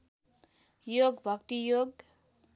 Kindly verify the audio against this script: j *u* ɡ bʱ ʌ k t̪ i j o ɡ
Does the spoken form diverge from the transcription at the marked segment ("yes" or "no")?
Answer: yes